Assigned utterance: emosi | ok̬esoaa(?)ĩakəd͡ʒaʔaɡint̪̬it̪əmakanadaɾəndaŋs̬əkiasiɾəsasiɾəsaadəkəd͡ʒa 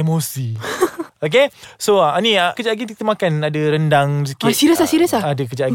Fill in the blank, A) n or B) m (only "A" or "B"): A